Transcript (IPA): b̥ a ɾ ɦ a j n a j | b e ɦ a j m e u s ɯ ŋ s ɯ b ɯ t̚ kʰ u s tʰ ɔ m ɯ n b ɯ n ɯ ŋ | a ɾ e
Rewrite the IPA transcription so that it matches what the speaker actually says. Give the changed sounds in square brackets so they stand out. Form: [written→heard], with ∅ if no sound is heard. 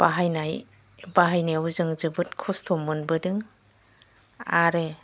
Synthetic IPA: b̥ a [ɾ→∅] ɦ a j n a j | b [e→a] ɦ a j [m→n] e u [s→z] ɯ ŋ [s→z] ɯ b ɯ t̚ kʰ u s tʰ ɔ m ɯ n b ɯ [n→d] ɯ ŋ | a ɾ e